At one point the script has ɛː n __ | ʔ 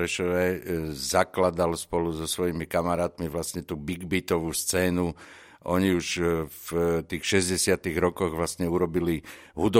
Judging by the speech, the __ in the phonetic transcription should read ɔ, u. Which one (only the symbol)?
u